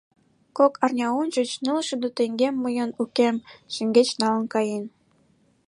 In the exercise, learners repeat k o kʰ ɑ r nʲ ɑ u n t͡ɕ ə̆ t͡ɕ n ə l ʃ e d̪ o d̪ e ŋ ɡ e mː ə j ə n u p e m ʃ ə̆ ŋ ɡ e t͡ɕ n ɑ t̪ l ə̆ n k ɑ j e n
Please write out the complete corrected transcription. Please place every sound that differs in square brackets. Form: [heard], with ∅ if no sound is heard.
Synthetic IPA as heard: k o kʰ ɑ r nʲ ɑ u n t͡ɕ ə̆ t͡ɕ n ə l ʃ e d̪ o [t̪] e ŋ ɡ e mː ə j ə n u [k] e m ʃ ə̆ ŋ ɡ e t͡ɕ n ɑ [∅] l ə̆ n k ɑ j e n